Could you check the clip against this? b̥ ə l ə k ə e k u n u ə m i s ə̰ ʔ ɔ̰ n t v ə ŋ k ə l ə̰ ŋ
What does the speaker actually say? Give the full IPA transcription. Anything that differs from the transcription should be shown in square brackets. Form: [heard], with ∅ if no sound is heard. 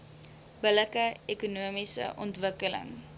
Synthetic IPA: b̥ ə l ə k ə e k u n u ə m i s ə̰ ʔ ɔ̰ n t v ə [∅] k ə l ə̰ ŋ